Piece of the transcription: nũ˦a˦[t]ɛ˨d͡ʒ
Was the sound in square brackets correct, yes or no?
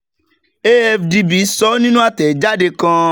yes